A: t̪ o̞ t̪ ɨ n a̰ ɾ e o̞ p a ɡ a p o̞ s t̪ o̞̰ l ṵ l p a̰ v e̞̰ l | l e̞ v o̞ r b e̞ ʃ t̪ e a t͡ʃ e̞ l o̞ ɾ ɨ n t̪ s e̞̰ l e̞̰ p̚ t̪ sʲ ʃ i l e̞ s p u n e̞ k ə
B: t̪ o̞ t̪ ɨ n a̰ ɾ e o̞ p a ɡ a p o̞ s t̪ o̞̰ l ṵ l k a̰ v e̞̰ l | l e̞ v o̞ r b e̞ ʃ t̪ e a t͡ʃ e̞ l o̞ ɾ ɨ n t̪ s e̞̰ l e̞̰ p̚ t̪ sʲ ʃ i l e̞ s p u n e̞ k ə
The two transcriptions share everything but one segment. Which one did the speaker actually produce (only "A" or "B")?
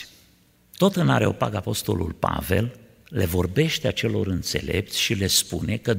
A